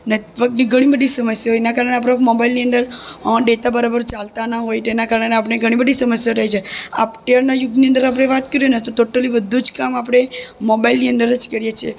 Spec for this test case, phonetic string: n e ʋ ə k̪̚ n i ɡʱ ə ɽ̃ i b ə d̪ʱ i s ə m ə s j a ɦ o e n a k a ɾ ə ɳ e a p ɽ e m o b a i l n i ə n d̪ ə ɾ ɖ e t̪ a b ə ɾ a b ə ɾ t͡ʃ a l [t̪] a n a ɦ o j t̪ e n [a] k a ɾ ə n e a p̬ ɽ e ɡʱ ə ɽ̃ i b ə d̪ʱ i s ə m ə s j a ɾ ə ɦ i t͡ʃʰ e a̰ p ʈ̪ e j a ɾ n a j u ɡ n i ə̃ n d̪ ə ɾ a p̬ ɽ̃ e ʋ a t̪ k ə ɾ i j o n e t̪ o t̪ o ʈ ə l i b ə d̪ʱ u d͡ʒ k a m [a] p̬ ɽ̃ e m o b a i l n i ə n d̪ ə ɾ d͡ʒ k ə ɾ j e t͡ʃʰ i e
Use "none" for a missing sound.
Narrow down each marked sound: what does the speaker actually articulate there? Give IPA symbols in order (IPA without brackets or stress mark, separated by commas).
t̪, a, a